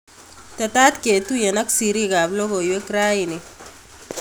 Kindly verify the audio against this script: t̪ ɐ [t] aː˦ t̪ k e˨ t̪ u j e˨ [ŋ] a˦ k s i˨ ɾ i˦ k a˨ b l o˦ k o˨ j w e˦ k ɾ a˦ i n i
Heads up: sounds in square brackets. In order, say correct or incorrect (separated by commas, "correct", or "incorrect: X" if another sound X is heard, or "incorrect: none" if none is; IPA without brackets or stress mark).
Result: correct, incorrect: n